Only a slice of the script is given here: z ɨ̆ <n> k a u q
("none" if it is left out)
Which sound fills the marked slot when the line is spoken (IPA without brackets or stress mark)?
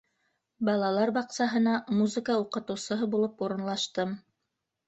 none